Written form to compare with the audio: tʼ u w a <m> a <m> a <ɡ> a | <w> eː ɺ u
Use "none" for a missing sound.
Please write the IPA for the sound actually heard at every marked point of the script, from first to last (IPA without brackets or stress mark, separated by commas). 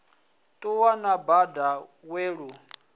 n, b, d, w